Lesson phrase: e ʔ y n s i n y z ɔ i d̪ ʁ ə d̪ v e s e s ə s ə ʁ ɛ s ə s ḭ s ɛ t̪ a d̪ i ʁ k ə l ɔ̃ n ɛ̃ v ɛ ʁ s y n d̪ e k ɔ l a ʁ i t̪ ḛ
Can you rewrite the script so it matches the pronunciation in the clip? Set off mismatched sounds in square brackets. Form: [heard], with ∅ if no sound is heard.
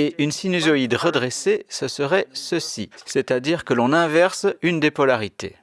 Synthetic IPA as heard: e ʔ y n s i n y z ɔ i d̪ ʁ ə d̪ [ʁ] e s e s ə s ə ʁ ɛ s ə s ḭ s ɛ t̪ a d̪ i ʁ k ə l ɔ̃ n ɛ̃ v ɛ ʁ s y n d̪ e [p] ɔ l a ʁ i t̪ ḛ

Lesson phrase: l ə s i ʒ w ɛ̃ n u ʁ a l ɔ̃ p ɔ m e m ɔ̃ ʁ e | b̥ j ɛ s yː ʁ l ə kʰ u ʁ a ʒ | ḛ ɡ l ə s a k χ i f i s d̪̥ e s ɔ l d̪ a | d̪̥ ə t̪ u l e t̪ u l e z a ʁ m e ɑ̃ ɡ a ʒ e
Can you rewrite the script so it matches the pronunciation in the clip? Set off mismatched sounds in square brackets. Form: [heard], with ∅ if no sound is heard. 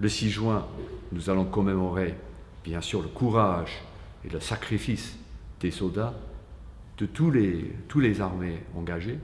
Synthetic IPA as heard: l ə s i ʒ w ɛ̃ n u [z] a l ɔ̃ [k] ɔ m e m [ɔ] ʁ e | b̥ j [ɛ̃] s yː ʁ l ə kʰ u ʁ a ʒ | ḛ [∅] l ə s a k χ i f i s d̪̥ e s ɔ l d̪ a | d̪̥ ə t̪ u l e t̪ u l e z a ʁ m e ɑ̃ ɡ a ʒ e

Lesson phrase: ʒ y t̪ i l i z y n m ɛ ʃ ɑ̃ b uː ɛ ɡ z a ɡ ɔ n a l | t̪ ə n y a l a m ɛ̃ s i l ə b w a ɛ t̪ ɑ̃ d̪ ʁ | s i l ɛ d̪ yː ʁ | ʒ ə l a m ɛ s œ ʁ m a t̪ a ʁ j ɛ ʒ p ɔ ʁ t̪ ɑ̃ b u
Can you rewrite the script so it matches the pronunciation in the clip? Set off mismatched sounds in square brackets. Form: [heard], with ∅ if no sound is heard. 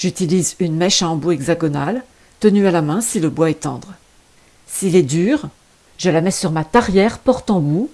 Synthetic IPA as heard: ʒ y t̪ i l i z y n m ɛ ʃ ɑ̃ b [u] ɛ ɡ z a ɡ ɔ n a l | t̪ ə n y a l a m ɛ̃ s i l ə b w a ɛ t̪ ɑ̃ d̪ ʁ | s i l ɛ d̪ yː ʁ | ʒ ə l a m ɛ s [y] ʁ m a t̪ a ʁ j ɛ [ʁ] p ɔ ʁ t̪ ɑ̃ b u

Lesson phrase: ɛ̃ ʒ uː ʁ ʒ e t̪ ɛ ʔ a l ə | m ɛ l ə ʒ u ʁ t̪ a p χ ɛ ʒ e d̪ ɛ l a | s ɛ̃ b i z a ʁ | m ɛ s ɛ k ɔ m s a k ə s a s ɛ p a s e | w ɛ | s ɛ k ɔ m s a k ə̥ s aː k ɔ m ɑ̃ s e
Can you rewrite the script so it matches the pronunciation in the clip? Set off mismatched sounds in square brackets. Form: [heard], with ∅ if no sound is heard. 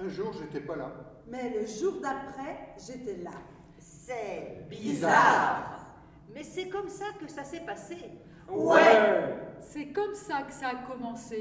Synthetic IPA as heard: ɛ̃ ʒ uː ʁ ʒ e t̪ ɛ [p] a l [a] | m ɛ l ə ʒ u ʁ [d̪] a p χ ɛ ʒ e [t̪] ɛ l a | s [ɛ] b i z a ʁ | m ɛ s ɛ k ɔ m s a k ə s a s ɛ p a s e | w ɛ | s ɛ k ɔ m s a k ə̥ s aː k ɔ m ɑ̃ s e

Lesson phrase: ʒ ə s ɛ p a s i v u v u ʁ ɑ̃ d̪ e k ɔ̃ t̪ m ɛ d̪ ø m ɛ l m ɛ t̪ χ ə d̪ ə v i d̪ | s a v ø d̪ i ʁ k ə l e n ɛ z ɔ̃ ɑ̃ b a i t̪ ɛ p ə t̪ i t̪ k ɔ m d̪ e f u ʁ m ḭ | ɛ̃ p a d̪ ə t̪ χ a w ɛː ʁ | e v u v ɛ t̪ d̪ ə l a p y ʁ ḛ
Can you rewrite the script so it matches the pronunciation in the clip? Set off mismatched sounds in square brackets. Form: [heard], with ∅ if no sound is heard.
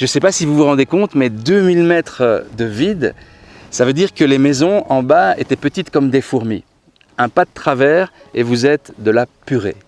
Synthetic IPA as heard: ʒ ə s ɛ p a s i v u v u ʁ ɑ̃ d̪ e k ɔ̃ t̪ m ɛ d̪ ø m [i] l m ɛ t̪ χ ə d̪ ə v i d̪ | s a v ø d̪ i ʁ k ə l e [m] ɛ z ɔ̃ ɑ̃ b a [e] t̪ ɛ p ə t̪ i t̪ k ɔ m d̪ e f u ʁ m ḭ | ɛ̃ p a d̪ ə t̪ χ a [v] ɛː ʁ | e v u [z] ɛ t̪ d̪ ə l a p y ʁ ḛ

